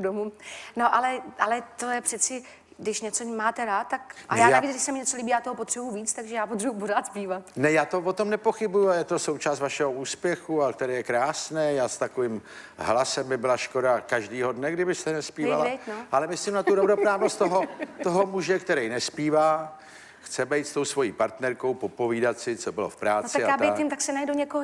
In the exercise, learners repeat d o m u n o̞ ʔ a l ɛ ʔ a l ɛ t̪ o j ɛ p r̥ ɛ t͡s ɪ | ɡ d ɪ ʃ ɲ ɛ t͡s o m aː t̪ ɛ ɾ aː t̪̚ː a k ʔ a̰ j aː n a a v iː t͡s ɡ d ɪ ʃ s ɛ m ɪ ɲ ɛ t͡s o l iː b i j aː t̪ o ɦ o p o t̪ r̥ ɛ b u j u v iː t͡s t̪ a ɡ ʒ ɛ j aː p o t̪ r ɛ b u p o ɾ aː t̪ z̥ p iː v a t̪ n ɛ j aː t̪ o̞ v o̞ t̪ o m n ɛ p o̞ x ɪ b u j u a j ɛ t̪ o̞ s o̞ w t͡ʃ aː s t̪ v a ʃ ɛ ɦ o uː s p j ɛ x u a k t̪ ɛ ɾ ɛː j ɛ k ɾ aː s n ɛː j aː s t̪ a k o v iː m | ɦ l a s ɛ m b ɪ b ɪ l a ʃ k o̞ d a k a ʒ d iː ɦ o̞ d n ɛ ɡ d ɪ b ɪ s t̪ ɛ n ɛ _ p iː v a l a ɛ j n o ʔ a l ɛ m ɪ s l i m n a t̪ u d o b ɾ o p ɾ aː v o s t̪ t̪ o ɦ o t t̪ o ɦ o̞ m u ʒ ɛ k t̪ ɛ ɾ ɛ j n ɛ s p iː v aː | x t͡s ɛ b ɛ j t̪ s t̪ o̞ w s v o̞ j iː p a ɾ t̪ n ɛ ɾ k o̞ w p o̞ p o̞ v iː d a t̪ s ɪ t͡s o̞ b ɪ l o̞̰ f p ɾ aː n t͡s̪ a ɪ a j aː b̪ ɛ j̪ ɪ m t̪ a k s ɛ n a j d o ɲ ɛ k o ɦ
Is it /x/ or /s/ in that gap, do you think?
s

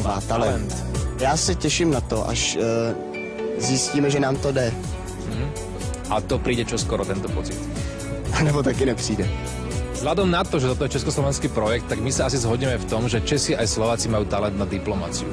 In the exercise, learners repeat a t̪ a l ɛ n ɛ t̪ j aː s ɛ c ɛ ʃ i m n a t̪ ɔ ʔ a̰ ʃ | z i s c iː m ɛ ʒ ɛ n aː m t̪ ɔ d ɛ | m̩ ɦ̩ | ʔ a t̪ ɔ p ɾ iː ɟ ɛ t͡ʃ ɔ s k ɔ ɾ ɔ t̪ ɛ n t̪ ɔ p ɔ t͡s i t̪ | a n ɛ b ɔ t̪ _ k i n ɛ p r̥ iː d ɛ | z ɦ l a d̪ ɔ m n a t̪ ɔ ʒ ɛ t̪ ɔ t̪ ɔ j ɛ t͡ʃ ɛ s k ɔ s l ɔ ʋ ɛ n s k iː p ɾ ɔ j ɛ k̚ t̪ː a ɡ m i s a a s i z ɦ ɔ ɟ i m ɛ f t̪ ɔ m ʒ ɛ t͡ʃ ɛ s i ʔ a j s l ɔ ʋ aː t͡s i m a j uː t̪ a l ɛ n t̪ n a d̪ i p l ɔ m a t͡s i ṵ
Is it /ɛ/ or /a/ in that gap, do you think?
a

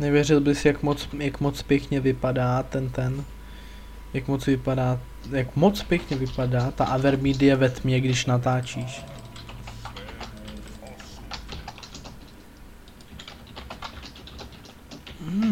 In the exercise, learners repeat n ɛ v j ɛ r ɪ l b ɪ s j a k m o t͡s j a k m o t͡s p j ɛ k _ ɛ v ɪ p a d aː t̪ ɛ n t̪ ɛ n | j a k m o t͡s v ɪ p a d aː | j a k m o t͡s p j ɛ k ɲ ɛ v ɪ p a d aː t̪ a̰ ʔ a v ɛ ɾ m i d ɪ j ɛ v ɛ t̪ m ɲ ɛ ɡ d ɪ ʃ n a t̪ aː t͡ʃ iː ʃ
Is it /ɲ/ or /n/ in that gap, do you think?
ɲ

